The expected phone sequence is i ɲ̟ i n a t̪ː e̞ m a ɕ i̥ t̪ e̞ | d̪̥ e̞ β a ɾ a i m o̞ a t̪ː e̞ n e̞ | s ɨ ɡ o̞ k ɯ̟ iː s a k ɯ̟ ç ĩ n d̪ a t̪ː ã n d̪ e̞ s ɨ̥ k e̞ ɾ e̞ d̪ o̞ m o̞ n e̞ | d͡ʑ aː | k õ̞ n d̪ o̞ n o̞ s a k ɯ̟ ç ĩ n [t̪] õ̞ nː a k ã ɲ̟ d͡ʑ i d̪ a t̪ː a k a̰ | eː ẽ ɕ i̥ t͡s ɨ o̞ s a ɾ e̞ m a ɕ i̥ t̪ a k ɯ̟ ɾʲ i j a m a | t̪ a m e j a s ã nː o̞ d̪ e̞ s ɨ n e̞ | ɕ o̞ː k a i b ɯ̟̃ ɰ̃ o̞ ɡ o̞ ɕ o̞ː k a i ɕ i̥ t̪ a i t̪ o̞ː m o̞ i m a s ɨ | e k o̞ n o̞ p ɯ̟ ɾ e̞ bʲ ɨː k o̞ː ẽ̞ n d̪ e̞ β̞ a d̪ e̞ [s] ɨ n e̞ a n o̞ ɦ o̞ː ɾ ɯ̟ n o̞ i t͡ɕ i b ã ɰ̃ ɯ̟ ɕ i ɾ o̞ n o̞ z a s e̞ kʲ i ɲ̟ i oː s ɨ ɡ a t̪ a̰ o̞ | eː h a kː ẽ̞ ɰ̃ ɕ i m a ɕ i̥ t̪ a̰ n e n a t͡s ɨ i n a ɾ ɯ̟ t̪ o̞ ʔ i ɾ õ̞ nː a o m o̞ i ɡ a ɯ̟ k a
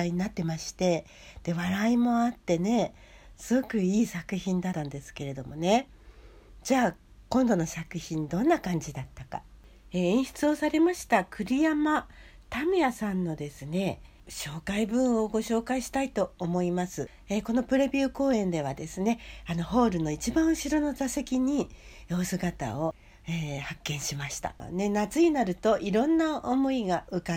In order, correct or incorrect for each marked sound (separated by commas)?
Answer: incorrect, correct